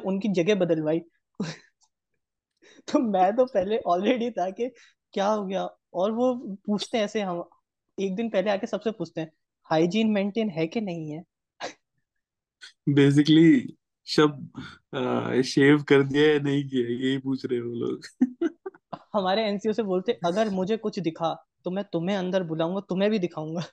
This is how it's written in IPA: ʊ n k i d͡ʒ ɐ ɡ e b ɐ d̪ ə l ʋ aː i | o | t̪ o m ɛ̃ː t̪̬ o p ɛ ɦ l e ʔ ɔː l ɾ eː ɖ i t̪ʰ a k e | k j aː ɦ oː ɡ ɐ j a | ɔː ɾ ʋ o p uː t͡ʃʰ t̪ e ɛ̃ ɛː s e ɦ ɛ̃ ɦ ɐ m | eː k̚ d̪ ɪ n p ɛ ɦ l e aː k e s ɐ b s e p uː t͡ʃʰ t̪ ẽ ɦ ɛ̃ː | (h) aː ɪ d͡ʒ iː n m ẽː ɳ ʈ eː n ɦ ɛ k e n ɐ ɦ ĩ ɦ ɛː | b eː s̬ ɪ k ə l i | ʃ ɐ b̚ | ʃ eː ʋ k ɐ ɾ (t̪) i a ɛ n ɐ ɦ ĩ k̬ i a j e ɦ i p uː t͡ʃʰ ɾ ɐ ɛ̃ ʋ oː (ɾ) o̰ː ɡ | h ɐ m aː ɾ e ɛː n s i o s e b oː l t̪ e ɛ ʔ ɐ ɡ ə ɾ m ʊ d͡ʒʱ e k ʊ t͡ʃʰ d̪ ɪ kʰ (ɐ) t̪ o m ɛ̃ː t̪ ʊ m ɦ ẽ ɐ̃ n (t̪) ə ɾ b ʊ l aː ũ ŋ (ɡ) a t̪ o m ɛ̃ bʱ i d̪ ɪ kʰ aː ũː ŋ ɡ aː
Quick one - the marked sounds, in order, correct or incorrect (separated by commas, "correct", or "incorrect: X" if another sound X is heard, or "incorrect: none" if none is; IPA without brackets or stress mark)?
correct, incorrect: d̪, incorrect: l, incorrect: a, incorrect: d̪, correct